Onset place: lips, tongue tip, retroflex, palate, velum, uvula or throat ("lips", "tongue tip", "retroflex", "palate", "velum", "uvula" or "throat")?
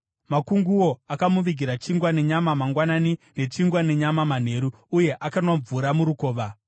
lips